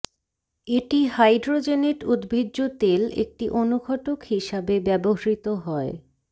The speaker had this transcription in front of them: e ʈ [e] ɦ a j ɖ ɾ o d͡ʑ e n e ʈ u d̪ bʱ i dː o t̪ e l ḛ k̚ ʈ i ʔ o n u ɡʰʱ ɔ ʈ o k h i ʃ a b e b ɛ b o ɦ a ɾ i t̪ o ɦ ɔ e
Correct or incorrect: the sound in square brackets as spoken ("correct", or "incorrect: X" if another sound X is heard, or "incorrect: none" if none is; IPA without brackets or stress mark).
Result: incorrect: i